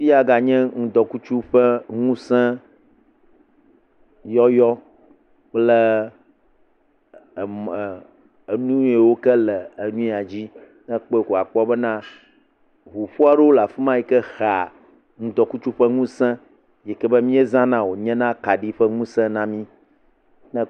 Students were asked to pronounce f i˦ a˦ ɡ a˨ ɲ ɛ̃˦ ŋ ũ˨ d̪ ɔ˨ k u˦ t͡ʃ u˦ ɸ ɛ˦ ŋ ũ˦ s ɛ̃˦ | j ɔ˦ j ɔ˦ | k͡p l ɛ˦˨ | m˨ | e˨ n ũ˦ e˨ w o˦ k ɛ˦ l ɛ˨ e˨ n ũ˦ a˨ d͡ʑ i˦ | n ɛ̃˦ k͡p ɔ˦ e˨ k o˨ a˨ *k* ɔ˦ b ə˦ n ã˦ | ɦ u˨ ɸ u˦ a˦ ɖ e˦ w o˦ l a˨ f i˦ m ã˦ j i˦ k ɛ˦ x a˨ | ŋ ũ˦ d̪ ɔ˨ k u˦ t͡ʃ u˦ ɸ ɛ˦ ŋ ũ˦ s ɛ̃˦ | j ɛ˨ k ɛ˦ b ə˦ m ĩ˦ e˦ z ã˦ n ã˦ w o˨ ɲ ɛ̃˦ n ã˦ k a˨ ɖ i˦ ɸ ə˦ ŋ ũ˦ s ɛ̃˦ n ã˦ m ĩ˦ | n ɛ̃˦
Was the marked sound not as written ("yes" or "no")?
yes